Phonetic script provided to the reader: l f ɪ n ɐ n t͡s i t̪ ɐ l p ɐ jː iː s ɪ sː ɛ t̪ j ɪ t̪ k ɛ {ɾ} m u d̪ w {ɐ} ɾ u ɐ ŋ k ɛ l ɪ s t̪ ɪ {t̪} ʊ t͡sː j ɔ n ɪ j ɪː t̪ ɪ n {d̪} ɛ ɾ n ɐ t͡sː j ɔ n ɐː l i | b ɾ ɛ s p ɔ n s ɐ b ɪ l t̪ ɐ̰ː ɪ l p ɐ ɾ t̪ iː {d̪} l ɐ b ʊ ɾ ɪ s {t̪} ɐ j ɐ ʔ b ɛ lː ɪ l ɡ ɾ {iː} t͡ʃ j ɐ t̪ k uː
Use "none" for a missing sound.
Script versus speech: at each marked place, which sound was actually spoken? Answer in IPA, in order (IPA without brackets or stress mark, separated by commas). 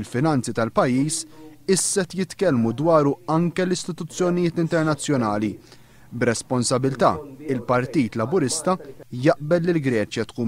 l, ɐː, t̪, t̪, t̪, t̪, ɛː